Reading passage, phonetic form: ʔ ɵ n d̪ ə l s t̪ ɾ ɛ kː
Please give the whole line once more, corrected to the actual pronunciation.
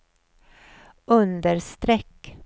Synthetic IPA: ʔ ɵ n d̪ ə ɾ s t̪ ɾ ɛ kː

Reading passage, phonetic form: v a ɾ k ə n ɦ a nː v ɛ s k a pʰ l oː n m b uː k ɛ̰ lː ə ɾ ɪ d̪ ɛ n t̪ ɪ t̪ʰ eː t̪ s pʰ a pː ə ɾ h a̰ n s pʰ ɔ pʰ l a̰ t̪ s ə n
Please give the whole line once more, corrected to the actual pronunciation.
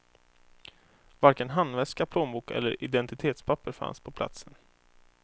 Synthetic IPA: v a ɾ k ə n ɦ a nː v ɛ s k a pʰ l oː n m b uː k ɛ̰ lː ə ɾ ɪ d̪ ɛ n t̪ ɪ t̪ʰ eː t̪ s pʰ a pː ə ɾ f a̰ n s pʰ ɔ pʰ l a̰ t̪ s ə n

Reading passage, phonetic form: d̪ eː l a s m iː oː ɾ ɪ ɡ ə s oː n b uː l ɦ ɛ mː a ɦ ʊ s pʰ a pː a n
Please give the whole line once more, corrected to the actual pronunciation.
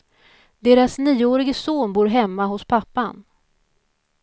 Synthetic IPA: d̪ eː ɾ a s n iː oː ɾ ɪ ɡ ə s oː n b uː ɾ ɦ ɛ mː a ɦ ʊ s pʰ a pː a n

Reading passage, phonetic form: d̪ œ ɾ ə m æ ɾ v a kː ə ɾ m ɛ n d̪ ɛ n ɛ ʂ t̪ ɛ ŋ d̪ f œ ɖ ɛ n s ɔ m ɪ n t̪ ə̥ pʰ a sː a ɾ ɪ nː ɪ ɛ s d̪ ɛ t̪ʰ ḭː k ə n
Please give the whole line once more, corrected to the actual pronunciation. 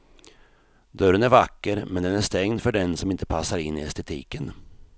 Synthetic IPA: d̪ œ ɾ ə n æ ɾ v a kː ə ɾ m ɛ n d̪ ɛ n æ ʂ t̪ ɛ ŋ d̪ f œ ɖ ɛ n s ɔ m ɪ n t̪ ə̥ pʰ a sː a ɾ ɪ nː ɪ ɛ s t̪ ɛ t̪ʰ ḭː k ə n

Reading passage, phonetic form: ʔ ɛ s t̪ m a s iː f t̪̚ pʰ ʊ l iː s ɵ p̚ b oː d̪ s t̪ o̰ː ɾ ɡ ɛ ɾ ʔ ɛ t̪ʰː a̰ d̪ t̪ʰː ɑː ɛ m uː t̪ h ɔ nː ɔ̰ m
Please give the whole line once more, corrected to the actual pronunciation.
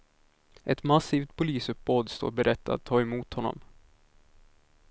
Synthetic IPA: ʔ ɛ t̪ m a s iː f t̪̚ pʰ ʊ l iː s ɵ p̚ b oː d̪ s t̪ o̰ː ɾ b ɛ ɾ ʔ ɛ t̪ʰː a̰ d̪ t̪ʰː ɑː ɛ m uː t̪ h ɔ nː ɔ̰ m

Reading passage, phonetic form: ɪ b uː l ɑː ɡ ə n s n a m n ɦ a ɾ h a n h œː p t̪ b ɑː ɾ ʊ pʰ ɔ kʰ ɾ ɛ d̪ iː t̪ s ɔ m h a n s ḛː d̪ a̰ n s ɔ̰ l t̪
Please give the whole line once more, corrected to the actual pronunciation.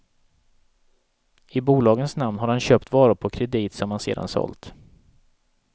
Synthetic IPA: ɪ b uː l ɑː ɡ ə n s n a m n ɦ a ɾ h a n ɕ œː p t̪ v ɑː ɾ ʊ pʰ ɔ kʰ ɾ ɛ d̪ iː t̪ s ɔ m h a n s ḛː d̪ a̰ n s ɔ̰ l t̪

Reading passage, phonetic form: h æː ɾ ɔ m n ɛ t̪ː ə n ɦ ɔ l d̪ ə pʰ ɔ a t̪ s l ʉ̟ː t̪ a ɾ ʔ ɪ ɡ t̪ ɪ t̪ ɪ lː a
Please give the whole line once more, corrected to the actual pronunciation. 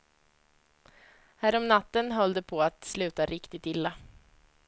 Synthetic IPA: h æː ɾ ɔ m n a t̪ː ə n ɦ ɔ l d̪ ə pʰ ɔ a t̪ s l ʉ̟ː t̪ a ɾ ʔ ɪ k t̪ ɪ t̪ ɪ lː a

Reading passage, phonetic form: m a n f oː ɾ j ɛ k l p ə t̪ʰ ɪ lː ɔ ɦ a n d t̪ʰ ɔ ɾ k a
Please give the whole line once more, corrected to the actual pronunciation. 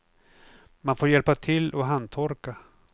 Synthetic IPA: m a n f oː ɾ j ɛ l p a t̪ʰ ɪ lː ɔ ɦ a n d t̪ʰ ɔ ɾ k a

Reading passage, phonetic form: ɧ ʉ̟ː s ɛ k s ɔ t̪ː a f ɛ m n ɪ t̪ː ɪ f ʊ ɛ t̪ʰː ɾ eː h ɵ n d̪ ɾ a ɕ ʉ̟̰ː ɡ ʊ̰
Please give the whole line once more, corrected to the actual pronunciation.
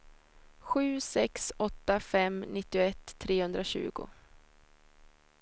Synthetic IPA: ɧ ʉ̟ː s ɛ k s ɔ t̪ː a f ɛ m n ɪ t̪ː ɪ ʊ ɛ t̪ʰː ɾ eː h ɵ n d̪ ɾ a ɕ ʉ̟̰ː ɡ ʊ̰

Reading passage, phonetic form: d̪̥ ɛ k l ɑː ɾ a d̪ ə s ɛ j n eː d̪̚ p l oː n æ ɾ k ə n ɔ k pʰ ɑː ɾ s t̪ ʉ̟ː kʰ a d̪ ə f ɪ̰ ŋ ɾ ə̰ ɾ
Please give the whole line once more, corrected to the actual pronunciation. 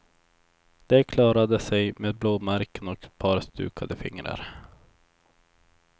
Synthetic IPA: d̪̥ ɛ kʰ l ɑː ɾ a d̪ ə s ɛ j m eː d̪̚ b l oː m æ ɾ k ə n ɔ k pʰ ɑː ɾ s t̪ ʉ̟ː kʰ a d̪ ə f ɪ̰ ŋ ɾ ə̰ ɾ

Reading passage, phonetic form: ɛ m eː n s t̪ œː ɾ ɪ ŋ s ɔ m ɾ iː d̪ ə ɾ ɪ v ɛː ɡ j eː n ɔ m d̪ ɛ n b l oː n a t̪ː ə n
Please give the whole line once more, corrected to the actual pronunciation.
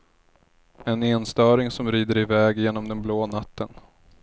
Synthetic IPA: ɛ n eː n s t̪ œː ɾ ɪ ŋ s ɔ m ɾ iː d̪ ə ɾ ɪ v ɛː ɡ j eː n ɔ m d̪ ɛ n b l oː n a t̪ː ə n

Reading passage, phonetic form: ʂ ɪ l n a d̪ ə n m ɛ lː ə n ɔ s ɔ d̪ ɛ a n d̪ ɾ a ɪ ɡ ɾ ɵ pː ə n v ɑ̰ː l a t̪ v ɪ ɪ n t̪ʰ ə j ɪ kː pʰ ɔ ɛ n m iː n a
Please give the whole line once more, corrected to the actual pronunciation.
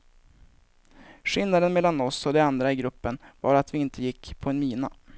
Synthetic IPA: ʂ ɪ l n a d̪ ə n m ɛ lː a n ɔ s ɔ d̪ ɛ a n d̪ ɾ a ɪ ɡ ɾ ɵ pː ə n v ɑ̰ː ɾ a t̪ v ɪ ɪ n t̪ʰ ə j ɪ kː pʰ ɔ ɛ n m iː n a

